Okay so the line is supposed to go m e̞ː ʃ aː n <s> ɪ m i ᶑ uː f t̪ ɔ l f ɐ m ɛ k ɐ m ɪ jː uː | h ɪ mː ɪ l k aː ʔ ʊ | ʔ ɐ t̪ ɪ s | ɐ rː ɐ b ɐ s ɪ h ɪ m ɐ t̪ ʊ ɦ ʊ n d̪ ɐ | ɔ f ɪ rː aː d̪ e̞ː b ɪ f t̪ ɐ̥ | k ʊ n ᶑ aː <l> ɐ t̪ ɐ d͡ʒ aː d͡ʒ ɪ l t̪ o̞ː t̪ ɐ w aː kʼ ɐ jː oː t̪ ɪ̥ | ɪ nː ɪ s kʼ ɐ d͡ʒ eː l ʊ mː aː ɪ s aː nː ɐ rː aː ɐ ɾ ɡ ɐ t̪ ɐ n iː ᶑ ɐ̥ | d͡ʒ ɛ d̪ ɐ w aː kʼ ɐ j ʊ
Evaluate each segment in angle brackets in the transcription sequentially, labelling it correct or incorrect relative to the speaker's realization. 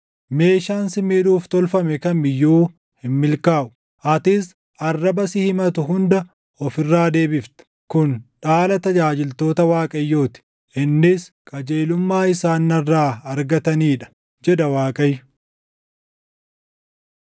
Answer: correct, correct

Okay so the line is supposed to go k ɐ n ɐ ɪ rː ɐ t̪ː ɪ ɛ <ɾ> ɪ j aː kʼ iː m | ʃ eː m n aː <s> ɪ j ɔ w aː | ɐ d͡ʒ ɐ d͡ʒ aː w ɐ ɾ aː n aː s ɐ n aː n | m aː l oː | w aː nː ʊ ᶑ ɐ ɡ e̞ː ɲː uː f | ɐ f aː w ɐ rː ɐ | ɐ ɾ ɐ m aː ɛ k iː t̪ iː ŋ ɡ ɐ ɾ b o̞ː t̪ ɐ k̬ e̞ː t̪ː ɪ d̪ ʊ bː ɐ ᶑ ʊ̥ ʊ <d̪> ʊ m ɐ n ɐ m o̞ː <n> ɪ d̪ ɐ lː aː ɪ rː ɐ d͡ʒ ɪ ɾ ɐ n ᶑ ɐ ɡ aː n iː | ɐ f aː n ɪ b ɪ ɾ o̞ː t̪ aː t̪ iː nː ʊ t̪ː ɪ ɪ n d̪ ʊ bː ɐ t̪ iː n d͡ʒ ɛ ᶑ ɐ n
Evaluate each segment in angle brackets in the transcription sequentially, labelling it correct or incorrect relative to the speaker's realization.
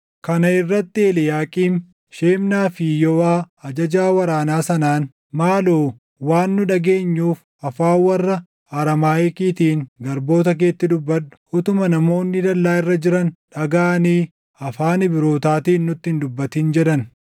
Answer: incorrect: l, incorrect: f, incorrect: t̪, incorrect: nː

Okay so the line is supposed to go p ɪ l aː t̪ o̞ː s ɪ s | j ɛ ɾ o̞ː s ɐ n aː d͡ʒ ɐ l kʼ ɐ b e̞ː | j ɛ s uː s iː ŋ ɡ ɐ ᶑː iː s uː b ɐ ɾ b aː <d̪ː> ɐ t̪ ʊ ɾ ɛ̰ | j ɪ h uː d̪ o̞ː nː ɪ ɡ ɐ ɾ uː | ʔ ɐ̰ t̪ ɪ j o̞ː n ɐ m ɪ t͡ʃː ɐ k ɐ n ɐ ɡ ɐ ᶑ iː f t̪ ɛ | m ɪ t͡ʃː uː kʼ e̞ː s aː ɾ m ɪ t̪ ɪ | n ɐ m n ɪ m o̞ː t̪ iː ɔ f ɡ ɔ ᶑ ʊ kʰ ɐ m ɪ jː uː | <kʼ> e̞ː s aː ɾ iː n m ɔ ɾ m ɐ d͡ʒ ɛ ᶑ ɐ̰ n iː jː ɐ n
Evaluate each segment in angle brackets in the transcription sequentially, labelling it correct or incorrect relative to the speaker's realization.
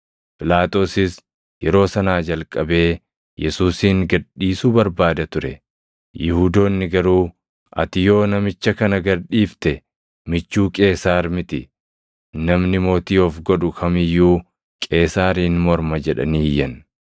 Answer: incorrect: d̪, correct

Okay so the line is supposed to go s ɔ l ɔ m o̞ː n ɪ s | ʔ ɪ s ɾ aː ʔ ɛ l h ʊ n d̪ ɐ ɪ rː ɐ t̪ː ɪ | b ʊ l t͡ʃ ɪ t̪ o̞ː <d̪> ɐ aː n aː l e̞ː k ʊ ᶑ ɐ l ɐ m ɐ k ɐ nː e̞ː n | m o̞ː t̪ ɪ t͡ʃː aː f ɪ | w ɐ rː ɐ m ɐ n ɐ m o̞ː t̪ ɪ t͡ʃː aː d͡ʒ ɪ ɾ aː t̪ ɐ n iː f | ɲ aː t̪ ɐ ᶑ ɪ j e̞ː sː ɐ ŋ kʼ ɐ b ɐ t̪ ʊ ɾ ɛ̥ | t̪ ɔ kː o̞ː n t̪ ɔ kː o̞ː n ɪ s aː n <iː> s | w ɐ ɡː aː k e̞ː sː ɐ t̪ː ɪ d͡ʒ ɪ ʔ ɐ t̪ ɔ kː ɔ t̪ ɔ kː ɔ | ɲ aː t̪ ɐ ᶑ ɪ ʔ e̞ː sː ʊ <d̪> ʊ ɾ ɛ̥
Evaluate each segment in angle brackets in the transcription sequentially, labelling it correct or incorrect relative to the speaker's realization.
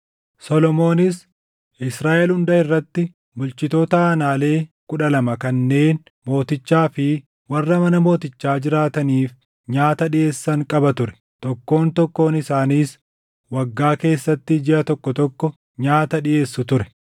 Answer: incorrect: t̪, correct, incorrect: t̪

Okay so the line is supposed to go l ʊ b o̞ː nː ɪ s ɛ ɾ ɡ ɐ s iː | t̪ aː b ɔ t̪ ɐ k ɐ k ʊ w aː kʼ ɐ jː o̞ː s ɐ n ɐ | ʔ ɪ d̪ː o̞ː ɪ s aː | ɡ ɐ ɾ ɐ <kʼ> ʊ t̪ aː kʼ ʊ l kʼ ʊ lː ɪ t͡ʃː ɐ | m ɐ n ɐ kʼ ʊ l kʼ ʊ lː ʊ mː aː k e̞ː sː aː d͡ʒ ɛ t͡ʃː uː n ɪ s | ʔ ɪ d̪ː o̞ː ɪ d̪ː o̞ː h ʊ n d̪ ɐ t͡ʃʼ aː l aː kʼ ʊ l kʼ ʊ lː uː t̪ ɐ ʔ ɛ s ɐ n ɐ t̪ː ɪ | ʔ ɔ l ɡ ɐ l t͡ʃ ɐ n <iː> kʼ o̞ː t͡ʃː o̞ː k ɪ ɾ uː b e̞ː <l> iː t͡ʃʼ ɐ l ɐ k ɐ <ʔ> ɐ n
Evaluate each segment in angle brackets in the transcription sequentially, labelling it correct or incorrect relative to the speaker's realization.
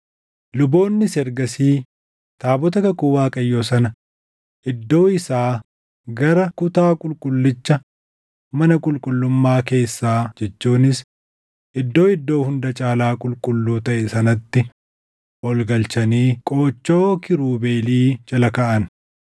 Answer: incorrect: k, correct, correct, correct

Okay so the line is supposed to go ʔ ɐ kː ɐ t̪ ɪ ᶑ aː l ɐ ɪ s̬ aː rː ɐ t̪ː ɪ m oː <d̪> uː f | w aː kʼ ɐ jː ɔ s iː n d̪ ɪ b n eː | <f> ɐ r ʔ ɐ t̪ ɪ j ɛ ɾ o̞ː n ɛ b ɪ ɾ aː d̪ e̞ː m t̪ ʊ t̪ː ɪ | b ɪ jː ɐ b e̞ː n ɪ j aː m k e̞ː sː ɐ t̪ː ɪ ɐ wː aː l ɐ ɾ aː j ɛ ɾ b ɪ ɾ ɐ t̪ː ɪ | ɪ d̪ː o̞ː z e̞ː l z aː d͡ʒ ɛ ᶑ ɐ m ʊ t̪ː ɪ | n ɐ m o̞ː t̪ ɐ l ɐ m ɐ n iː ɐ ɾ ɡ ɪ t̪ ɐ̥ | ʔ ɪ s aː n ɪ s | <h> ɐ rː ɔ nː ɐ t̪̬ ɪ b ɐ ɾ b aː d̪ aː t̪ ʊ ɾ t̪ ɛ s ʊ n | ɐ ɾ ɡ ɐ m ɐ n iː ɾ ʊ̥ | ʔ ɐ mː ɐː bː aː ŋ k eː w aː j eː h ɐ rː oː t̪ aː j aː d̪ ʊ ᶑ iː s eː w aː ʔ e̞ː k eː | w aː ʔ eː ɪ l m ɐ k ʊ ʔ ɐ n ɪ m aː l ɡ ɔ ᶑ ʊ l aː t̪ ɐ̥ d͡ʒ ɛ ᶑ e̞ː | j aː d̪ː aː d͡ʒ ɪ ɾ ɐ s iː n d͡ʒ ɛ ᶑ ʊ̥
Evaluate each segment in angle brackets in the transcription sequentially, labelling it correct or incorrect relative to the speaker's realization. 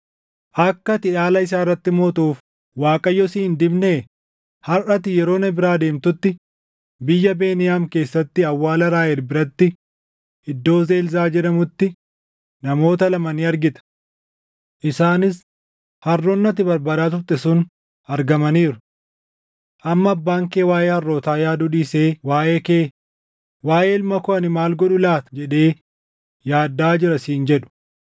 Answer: incorrect: t̪, incorrect: h, correct

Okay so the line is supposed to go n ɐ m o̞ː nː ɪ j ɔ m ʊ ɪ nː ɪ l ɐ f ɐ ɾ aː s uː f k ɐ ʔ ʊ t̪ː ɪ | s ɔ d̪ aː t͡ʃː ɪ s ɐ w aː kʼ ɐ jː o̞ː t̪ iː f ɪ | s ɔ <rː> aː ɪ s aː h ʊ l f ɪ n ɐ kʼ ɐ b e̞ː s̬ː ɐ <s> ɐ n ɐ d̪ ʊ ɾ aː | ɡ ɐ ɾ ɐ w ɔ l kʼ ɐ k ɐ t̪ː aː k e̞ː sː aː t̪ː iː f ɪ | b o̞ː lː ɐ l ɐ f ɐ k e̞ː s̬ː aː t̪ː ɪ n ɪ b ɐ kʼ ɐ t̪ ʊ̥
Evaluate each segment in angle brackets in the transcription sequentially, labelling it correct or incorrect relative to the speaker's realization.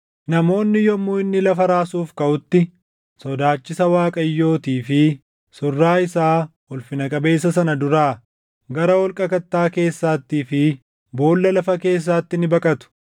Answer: correct, correct

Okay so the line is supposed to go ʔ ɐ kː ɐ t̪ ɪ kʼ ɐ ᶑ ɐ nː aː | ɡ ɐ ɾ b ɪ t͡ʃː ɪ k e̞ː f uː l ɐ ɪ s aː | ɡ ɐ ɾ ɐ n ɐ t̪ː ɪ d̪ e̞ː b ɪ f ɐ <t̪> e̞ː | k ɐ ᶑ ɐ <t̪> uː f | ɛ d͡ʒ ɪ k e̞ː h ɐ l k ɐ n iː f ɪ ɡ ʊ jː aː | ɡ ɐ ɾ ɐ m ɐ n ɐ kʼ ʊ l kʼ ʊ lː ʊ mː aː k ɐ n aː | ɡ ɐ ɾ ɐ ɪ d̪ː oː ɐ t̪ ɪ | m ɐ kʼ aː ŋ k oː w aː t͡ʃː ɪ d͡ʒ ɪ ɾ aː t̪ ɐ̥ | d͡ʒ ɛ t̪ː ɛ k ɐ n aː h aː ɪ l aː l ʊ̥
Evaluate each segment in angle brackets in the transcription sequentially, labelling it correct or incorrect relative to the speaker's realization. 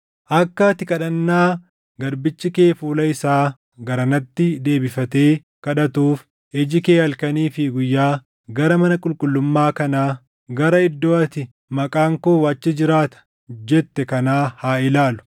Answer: correct, correct

